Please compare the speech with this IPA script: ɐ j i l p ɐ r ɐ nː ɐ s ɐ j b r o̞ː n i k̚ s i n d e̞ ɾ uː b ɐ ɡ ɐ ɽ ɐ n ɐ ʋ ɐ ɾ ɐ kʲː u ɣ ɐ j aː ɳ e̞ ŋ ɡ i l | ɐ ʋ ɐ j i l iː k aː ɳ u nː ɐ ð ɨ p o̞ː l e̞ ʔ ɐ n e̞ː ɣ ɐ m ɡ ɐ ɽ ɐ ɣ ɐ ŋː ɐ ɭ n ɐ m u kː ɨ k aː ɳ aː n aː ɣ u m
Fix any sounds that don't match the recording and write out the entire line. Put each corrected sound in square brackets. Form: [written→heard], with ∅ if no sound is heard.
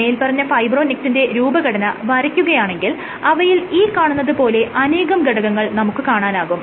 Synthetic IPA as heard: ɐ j i l p ɐ r ɐ [nː→ɲː] ɐ [s→f] ɐ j b r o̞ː n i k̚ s i n d e̞ ɾ uː b ɐ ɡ ɐ ɽ ɐ n ɐ ʋ ɐ ɾ ɐ kʲː u ɣ ɐ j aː ɳ e̞ ŋ ɡ i l | ɐ ʋ ɐ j i l iː k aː ɳ u nː ɐ ð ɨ p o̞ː l e̞ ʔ ɐ n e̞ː ɣ ɐ m ɡ ɐ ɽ ɐ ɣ ɐ ŋː ɐ ɭ n ɐ m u kː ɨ k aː ɳ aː n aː ɣ u m